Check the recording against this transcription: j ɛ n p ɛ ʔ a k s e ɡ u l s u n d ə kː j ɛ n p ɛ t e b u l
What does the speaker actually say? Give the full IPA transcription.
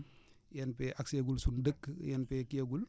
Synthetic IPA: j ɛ n p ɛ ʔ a k s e ɡ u l s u n d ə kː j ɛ n p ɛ k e ɡ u l